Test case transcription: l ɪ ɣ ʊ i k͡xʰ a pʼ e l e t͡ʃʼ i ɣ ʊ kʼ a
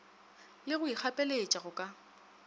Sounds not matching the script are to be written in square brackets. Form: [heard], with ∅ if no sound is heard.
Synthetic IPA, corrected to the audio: l ɪ ɣ ʊ i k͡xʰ a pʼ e l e t͡ʃʼ [a] ɣ ʊ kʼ a